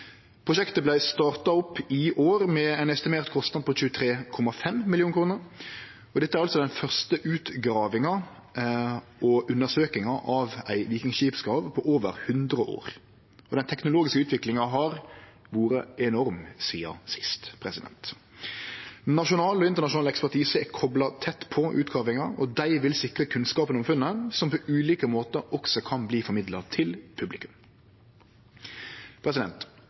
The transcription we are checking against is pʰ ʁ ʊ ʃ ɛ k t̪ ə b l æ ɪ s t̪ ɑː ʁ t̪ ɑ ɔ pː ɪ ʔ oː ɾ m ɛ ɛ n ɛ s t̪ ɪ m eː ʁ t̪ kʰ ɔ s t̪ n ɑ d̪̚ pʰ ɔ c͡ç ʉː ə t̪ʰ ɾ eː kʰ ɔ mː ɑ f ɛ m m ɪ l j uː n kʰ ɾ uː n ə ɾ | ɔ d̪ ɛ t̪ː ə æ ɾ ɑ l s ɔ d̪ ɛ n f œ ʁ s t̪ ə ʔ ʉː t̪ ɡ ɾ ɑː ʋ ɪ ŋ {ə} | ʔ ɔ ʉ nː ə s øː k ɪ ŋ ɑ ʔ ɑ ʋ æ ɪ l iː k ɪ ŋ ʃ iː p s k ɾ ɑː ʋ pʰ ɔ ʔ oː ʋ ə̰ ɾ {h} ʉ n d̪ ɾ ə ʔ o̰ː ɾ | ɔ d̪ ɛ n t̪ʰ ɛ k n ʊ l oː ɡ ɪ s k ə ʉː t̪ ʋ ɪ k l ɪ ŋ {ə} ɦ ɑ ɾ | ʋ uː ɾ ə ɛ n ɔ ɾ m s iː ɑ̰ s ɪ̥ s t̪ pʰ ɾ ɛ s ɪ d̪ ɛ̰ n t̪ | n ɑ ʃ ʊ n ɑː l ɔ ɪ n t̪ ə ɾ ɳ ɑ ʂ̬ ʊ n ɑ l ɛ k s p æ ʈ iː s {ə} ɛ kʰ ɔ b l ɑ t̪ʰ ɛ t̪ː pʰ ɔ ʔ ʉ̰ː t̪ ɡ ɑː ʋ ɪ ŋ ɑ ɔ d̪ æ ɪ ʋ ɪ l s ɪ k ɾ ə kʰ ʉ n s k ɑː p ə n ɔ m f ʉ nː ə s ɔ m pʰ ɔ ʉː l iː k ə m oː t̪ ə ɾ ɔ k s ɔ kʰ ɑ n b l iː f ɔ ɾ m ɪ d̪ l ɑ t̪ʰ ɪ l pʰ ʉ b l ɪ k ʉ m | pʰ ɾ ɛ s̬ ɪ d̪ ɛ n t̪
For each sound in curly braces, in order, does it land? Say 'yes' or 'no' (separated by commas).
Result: no, yes, no, yes